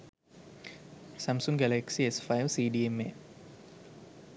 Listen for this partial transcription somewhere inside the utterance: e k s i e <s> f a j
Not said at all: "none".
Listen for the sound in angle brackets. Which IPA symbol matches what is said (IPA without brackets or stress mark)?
s